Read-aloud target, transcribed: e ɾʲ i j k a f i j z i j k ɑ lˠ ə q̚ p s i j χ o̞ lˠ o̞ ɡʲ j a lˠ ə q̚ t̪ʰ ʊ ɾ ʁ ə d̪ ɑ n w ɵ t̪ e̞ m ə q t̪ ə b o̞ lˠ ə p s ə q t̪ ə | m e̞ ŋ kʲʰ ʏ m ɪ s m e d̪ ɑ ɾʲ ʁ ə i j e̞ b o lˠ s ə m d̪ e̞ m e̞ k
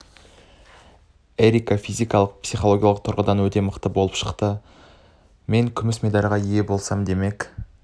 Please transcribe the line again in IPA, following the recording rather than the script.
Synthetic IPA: e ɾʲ i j k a f i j z i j k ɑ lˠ ə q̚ p s i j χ o̞ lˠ o̞ ɡʲ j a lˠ ə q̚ t̪ʰ ʊ ɾ ʁ ə d̪ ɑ n w ɵ t̪ e̞ m ə q t̪ ə b o̞ lˠ ə p ʃ ə q t̪ ə | m e̞ ŋ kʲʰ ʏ m ɪ s m e d̪ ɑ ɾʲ ʁ ɑ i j e̞ b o lˠ s ɑ m d̪ e̞ m e̞ k